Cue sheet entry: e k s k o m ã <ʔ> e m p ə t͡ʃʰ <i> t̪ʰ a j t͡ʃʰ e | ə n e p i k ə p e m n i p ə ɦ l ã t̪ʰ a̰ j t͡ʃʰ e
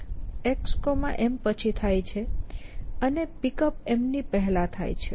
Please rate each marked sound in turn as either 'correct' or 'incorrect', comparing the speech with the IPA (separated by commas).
correct, correct